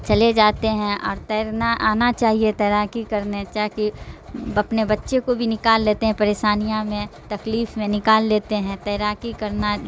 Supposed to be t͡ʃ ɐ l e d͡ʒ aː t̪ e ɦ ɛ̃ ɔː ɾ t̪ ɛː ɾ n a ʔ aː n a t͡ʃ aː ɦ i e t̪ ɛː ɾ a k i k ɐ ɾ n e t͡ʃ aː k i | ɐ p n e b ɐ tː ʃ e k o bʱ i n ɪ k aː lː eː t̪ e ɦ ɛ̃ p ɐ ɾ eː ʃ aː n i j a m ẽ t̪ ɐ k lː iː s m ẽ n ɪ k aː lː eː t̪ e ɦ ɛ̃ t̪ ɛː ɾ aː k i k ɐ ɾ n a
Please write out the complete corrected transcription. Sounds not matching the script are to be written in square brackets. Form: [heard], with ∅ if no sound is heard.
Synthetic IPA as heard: t͡ʃ ɐ l e d͡ʒ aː t̪ e ɦ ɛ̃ ɔː ɾ t̪ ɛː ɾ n a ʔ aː n a t͡ʃ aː ɦ i e t̪ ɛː ɾ a k i k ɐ ɾ n e t͡ʃ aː k i | ɐ p n e b ɐ tː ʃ e k o bʱ i n ɪ k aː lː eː t̪ e ɦ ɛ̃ p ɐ ɾ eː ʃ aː n i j a m ẽ t̪ ɐ k [l] iː [f] m ẽ n ɪ k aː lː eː t̪ e ɦ ɛ̃ t̪ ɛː ɾ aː k i k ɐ ɾ n a